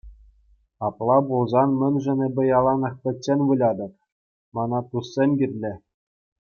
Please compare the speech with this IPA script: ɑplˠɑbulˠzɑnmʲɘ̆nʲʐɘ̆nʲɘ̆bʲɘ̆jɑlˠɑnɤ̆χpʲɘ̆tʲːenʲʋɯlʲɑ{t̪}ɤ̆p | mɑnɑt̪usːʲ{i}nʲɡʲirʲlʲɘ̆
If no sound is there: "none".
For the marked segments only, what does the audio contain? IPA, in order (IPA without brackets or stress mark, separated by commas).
d̪, e